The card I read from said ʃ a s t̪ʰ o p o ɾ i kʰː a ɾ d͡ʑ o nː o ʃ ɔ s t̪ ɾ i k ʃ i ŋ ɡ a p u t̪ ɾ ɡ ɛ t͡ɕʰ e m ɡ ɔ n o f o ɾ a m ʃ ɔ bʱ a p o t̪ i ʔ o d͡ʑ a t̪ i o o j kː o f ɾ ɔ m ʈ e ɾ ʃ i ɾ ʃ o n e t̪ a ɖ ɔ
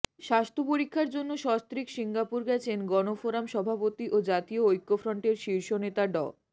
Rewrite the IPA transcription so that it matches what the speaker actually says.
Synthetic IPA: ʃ a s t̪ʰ o p o ɾ i kʰː a ɾ d͡ʑ o nː o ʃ ɔ s t̪ ɾ i k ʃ i ŋ ɡ a p u ɾ ɡ ɛ t͡ɕʰ e n ɡ ɔ n o f o ɾ a m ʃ ɔ bʱ a p o t̪ i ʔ o d͡ʑ a t̪ i o o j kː o f ɾ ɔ ɳ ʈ e ɾ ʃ i ɾ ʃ o n e t̪ a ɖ ɔ